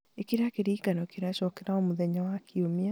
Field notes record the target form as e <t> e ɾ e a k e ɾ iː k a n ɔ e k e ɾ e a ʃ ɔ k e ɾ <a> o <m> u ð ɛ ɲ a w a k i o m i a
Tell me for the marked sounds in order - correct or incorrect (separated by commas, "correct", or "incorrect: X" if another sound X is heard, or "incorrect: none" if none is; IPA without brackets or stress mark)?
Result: incorrect: k, correct, correct